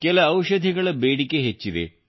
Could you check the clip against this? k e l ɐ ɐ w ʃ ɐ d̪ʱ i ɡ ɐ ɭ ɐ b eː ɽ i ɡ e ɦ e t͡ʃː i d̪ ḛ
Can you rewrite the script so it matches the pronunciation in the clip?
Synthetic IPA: k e l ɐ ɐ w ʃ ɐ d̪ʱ i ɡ ɐ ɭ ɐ b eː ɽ i k e ɦ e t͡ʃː i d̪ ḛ

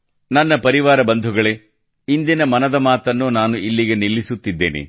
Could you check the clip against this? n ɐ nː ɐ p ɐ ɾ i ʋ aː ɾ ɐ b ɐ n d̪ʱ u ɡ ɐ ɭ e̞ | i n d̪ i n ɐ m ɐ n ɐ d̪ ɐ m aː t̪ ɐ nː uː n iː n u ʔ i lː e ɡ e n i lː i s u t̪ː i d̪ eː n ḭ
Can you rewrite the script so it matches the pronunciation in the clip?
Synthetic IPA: n ɐ nː ɐ p ɐ ɾ i ʋ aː ɾ ɐ b ɐ n d̪ʱ u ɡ ɐ ɭ e̞ | i n d̪ i n ɐ m ɐ n ɐ d̪ ɐ m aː t̪ ɐ nː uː n aː n u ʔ i lː i ɡ e n i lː i s u t̪ː i d̪ː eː n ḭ

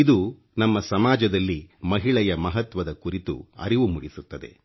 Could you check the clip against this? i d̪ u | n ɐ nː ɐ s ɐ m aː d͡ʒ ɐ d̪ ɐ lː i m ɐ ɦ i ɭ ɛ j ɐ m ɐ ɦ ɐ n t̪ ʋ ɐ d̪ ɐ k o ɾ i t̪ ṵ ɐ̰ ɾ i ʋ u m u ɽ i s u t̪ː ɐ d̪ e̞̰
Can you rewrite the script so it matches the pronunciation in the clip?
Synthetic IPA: i d̪ u | n ɐ mː ɐ s ɐ m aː d͡ʒ ɐ d̪ ɐ lː i m ɐ ɦ i ɭ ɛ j ɐ m ɐ ɦ ɐ t̪ ʋ ɐ d̪ ɐ k u ɾ i t̪ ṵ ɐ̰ ɾ i ʋ u m u ɽ i s u t̪ː ɐ d̪ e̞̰

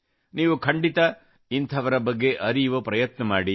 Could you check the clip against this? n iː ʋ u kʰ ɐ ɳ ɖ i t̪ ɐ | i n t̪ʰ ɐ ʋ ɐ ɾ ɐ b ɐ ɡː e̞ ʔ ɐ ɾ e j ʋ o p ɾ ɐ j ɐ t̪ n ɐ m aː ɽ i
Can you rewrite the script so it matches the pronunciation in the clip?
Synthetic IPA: n iː ʋ u kʰ ɐ ɳ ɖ i t̪ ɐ | i n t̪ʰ ɐ ʋ ɐ ɾ ɐ b ɐ ɡː e̞ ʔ ɐ ɾ i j ʋ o p ɾ ɐ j ɐ t̪ n ɐ m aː ɽ i

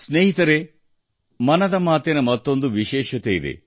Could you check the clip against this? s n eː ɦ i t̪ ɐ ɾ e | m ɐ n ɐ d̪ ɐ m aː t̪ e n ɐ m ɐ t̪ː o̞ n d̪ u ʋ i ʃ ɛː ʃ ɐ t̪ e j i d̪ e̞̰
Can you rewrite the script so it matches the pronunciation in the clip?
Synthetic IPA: s n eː ɦ i t̪ ɐ ɾ e | m ɐ n ɐ d̪ ɐ m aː t̪ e n ɐ m ɐ t̪ː o̞ n d̪ u ʋ i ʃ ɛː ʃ ɐ t̪ e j i d̪ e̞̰

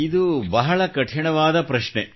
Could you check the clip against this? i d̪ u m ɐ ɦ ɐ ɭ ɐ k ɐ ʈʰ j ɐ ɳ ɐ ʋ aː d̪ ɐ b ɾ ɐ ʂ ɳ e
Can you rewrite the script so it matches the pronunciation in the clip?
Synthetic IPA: i d̪ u b ɐ ɦ ɐ ɭ ɐ k ɐ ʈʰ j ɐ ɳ ɐ ʋ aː d̪ ɐ p ɾ ɐ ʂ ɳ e

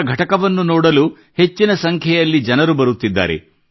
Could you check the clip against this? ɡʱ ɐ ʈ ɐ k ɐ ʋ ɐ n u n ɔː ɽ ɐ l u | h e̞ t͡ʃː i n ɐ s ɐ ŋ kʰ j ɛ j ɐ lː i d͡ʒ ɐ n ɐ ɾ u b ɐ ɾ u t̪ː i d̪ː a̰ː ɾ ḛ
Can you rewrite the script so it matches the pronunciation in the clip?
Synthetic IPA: ɡʱ ɐ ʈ ɐ k ɐ ʋ ɐ nː u n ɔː ɽ ɐ l u | h e̞ t͡ʃː i n ɐ s ɐ ŋ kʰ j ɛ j ɐ lː i d͡ʒ ɐ n ɐ ɾ u b ɐ ɾ u t̪ː i d̪ː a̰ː ɾ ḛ

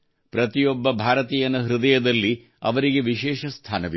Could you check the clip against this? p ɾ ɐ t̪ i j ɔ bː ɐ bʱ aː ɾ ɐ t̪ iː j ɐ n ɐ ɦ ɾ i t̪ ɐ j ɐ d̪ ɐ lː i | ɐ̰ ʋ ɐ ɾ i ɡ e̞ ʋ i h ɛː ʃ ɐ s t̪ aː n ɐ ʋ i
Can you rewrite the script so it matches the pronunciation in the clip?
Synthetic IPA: p ɾ ɐ t̪ i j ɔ bː ɐ bʱ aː ɾ ɐ t̪ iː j ɐ n ɐ ɦ ɾ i d̪ ɐ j ɐ d̪ ɐ lː i | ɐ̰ ʋ ɐ ɾ i ɡ e̞ ʋ i ʃ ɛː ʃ ɐ s t̪ʰ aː n ɐ ʋ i

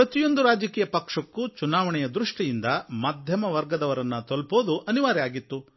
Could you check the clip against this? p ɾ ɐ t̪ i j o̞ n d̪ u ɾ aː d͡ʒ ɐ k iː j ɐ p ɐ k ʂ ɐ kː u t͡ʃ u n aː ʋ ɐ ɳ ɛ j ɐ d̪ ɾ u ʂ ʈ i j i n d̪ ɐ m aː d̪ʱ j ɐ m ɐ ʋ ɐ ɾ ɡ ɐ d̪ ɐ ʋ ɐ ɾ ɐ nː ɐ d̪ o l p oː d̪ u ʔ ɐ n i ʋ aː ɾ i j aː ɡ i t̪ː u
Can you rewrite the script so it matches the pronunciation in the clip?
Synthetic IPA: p ɾ ɐ t̪ i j o̞ n d̪ u ɾ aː d͡ʒ ɐ k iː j ɐ p ɐ k ʂ ɐ kː u t͡ʃ u n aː ʋ ɐ ɳ ɛ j ɐ d̪ ɾ u ʂ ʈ i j i n d̪ ɐ m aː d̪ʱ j ɐ m ɐ ʋ ɐ ɾ ɡ ɐ d̪ ɐ ʋ ɐ ɾ ɐ nː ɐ t̪ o l p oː d̪ u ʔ ɐ n i ʋ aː ɾ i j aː ɡ i t̪ː u

